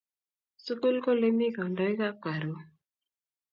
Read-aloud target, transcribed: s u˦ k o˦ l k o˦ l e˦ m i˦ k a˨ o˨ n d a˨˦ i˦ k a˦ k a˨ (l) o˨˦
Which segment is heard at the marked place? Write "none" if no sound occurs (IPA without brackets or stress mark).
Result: ɾ